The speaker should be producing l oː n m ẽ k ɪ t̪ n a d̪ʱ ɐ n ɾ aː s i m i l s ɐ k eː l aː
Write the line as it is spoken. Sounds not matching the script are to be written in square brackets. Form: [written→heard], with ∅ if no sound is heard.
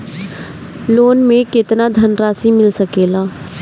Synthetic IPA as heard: l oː n m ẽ k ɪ t̪ n a d̪ʱ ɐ n ɾ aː s i m [i→ɪ] l s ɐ k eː l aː